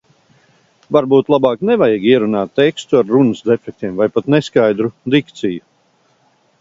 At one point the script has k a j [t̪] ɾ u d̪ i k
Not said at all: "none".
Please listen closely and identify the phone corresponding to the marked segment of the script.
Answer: d̪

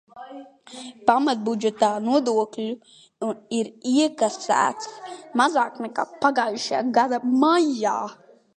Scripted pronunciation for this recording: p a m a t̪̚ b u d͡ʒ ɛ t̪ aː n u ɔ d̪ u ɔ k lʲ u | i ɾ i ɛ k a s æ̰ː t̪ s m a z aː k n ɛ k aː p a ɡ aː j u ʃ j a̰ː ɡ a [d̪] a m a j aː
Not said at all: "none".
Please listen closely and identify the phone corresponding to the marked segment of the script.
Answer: d̪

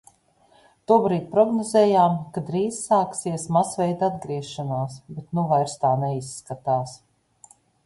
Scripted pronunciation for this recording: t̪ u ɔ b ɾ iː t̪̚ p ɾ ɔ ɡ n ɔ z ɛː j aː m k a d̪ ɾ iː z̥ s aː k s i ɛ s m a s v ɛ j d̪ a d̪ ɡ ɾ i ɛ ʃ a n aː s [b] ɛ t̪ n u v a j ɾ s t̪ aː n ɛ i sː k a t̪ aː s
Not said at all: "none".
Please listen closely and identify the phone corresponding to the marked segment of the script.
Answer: b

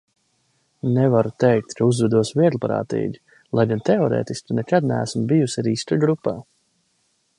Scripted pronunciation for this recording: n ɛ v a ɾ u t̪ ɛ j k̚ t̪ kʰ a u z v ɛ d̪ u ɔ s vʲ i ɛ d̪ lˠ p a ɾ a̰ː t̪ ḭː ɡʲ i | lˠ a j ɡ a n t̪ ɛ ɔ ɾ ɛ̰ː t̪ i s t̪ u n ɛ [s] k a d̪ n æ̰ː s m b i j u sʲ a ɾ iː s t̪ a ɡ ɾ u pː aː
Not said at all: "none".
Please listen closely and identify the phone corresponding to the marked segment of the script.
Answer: none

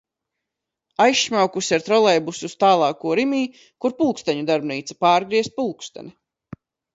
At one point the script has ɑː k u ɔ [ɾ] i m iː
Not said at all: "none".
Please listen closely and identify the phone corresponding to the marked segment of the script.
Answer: ɾ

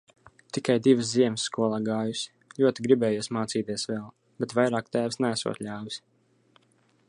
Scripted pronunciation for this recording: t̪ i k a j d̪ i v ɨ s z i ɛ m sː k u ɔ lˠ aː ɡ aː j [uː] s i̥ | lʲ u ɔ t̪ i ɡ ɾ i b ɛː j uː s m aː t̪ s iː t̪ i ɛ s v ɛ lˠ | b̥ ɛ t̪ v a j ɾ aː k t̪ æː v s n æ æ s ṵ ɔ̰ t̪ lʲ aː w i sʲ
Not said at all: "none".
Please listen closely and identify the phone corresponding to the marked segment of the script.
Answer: u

